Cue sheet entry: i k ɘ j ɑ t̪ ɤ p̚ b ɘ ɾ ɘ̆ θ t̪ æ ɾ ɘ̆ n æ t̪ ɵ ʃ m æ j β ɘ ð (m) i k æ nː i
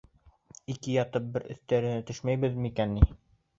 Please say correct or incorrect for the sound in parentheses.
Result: correct